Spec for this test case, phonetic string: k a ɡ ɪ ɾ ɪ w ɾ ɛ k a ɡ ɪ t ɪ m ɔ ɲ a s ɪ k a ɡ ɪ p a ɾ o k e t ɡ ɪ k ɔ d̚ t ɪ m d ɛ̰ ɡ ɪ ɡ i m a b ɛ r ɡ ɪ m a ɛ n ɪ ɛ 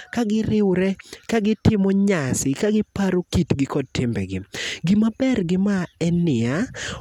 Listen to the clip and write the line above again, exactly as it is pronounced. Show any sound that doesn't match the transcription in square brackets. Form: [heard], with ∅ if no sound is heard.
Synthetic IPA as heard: k a ɡ ɪ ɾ ɪ w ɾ ɛ k a ɡ ɪ t ɪ m ɔ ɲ a s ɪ k a ɡ ɪ p a ɾ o k [i] t ɡ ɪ k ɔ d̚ t ɪ m [b] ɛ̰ ɡ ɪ ɡ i m a b ɛ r ɡ ɪ m a ɛ n ɪ [a]